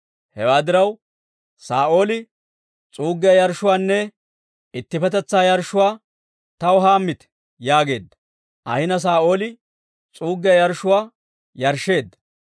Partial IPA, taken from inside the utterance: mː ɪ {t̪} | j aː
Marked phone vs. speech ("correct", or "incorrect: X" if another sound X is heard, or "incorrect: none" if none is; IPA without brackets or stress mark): correct